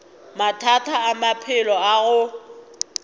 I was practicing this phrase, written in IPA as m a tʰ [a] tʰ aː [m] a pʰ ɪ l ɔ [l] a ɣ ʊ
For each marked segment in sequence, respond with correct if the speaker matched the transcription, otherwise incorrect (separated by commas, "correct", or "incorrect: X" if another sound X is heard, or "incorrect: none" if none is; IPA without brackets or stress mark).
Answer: correct, correct, incorrect: none